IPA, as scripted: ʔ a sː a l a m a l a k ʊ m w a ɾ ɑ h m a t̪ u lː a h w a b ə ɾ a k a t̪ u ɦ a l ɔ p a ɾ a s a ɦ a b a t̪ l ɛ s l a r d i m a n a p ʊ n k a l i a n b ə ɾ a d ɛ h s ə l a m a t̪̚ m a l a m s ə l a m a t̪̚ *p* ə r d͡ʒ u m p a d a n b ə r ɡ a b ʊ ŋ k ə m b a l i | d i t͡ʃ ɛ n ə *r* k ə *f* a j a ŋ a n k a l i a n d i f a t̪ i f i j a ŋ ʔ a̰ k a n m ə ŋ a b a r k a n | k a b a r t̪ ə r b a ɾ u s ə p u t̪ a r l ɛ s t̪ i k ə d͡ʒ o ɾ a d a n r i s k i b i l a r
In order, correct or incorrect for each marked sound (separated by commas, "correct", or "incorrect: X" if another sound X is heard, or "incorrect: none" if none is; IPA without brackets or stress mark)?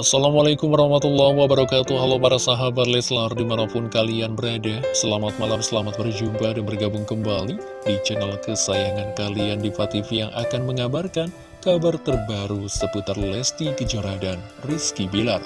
incorrect: b, incorrect: l, incorrect: s